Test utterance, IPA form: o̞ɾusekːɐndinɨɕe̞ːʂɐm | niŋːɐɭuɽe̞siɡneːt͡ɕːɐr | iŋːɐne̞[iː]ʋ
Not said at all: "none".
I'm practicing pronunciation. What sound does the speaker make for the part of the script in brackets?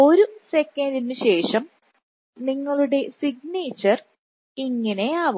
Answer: aː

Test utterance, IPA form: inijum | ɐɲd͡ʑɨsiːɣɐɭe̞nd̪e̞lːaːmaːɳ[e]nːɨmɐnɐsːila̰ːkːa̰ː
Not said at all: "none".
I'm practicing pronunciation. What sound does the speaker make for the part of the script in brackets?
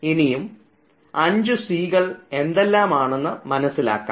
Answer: e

